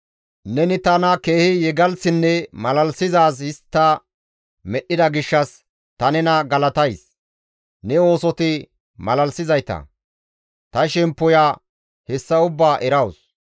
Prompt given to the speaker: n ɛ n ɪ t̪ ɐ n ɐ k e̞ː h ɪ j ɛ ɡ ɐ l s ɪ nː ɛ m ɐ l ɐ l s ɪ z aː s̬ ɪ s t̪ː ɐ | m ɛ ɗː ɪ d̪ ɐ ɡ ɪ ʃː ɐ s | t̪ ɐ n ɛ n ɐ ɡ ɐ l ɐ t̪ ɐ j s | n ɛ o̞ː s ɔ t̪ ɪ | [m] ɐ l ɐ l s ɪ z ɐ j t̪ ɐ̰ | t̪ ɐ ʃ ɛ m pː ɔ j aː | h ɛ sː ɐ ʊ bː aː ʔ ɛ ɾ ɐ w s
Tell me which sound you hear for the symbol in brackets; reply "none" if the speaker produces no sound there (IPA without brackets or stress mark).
m